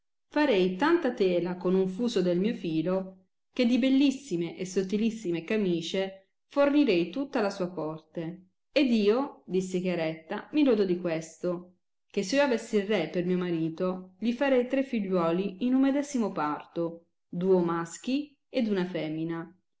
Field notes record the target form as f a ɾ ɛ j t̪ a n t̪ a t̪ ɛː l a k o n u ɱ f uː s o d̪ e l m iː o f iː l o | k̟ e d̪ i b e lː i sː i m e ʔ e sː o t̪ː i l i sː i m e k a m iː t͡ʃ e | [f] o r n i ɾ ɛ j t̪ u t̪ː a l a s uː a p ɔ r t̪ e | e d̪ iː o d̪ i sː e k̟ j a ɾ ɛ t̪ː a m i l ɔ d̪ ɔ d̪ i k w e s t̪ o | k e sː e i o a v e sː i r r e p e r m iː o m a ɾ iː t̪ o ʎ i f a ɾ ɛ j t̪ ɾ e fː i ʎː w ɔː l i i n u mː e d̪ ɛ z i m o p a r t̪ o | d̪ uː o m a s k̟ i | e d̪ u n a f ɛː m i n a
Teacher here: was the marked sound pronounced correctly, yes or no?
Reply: yes